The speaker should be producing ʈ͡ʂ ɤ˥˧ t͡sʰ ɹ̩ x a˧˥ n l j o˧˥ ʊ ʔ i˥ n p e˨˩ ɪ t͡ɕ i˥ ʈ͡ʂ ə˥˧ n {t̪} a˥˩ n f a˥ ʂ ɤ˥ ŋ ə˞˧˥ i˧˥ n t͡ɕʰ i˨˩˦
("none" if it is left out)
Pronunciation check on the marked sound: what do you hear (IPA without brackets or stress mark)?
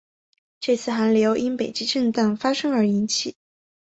t̪